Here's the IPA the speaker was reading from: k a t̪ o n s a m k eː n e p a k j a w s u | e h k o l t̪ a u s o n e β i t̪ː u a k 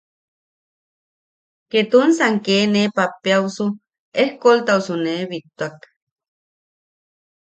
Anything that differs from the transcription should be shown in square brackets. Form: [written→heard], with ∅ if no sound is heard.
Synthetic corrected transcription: k [a→e] t̪ [o→u] n s a [m→ŋ] k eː n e p a [k→p] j a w s u | e h k o l t̪ a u s [o→u] n e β i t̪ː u a k